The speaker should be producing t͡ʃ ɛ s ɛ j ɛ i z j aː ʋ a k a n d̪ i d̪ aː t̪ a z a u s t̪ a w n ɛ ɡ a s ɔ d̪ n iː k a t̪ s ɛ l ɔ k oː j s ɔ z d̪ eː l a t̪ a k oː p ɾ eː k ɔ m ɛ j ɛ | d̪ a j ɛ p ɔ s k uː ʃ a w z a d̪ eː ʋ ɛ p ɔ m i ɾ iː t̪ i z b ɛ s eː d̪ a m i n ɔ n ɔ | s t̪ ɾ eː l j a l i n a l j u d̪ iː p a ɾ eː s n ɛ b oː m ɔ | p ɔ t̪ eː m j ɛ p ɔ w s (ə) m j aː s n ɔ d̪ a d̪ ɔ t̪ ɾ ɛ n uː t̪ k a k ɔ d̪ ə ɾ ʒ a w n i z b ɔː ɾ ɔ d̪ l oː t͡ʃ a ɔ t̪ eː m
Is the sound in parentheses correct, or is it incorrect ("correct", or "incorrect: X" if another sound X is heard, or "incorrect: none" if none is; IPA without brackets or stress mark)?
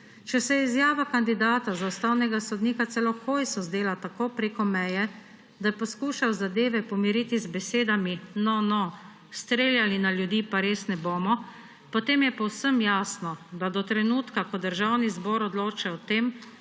correct